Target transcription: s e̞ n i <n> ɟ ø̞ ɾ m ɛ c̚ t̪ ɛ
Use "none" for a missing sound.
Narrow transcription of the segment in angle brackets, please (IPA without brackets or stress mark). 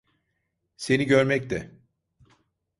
none